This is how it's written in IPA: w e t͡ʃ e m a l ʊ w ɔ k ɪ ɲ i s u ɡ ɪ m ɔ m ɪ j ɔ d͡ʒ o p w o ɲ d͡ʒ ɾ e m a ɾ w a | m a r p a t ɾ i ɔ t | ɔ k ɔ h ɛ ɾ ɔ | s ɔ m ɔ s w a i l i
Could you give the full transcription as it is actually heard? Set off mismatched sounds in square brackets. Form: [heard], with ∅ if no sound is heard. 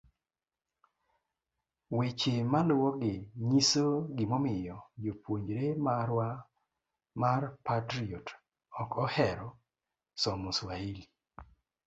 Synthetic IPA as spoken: w e t͡ʃ e m a l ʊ w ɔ [ɡ] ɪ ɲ i s [o] ɡ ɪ m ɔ m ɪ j ɔ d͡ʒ o p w o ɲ d͡ʒ ɾ e m a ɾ w a | m a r p a t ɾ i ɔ t | ɔ k ɔ h ɛ ɾ ɔ | s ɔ m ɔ s w a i l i